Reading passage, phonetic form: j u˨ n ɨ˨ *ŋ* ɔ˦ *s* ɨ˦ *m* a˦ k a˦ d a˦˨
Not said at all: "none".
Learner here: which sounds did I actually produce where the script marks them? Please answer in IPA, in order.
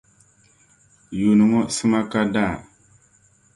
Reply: ŋ, s, m

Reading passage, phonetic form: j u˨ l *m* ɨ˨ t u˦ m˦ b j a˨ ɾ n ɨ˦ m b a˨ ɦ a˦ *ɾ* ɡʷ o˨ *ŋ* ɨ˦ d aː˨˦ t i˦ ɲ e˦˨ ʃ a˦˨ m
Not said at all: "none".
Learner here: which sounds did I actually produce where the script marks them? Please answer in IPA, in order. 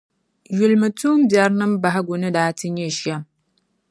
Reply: m, none, n

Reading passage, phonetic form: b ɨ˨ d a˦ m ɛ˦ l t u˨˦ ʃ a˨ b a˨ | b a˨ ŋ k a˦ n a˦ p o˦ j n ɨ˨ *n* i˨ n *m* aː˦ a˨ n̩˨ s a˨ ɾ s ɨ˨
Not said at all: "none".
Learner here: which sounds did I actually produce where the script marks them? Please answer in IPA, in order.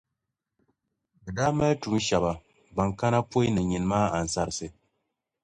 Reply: ɲ, m

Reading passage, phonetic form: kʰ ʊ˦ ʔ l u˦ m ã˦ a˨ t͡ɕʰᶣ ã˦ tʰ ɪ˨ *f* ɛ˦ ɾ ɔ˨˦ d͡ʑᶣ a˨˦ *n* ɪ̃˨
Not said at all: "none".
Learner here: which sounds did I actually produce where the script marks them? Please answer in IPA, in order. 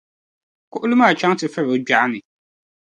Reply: f, n

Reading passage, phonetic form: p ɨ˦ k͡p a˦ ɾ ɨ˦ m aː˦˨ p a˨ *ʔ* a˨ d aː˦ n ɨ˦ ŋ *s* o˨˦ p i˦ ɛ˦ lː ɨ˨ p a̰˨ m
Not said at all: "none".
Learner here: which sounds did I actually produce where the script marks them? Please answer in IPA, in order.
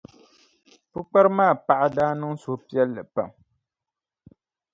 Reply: ʔ, s

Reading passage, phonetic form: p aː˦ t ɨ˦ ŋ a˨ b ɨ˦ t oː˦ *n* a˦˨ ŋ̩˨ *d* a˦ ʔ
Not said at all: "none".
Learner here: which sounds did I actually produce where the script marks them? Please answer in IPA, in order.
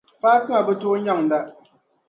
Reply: ɲ, d

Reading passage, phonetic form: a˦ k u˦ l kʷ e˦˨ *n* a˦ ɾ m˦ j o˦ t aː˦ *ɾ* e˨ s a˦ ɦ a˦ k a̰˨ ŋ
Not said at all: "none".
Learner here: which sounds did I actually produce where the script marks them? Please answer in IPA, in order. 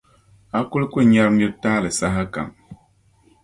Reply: ɲ, l

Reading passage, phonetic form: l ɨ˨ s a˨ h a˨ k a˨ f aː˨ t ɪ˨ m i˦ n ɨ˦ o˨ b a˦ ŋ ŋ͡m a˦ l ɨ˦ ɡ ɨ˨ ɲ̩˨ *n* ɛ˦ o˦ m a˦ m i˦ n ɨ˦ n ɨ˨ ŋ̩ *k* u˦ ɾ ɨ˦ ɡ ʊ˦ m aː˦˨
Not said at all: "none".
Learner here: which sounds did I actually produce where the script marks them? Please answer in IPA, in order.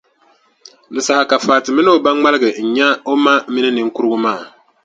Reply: ɲ, k

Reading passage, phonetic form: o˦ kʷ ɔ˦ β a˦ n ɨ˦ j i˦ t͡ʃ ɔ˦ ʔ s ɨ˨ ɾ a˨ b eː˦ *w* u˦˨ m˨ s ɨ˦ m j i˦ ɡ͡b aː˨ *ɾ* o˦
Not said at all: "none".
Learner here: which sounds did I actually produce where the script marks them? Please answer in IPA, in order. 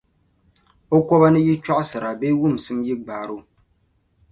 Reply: w, ɾ

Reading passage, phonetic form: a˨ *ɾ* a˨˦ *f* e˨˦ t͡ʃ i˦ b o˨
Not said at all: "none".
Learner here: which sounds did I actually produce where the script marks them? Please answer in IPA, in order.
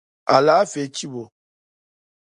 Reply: l, f

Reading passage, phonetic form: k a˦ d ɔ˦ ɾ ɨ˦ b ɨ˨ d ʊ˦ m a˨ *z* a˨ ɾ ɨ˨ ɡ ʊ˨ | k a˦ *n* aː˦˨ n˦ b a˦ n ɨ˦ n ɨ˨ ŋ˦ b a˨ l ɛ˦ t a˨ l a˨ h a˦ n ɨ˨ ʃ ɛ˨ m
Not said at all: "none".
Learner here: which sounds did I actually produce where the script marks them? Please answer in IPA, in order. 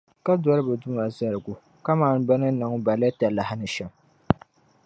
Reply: z, m

